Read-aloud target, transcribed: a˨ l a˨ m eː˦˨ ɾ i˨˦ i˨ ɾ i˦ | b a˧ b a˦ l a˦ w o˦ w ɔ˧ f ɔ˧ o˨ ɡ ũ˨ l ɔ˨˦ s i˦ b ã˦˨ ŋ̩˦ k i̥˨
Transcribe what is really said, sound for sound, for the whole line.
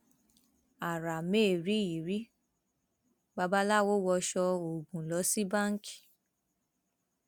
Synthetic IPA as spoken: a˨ ɾ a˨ m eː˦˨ ɾ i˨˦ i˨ ɾ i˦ | b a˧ b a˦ l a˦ w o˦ w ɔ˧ ʃ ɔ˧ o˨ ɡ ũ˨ l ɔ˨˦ s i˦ b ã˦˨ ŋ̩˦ k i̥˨